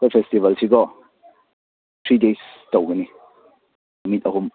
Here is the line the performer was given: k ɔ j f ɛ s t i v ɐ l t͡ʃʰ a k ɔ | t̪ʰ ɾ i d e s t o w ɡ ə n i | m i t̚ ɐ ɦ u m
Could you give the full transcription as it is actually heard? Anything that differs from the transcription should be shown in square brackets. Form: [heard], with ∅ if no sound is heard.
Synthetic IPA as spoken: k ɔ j f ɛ s t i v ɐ l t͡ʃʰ [i] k ɔ | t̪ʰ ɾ i d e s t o w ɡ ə n i | m i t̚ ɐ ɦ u m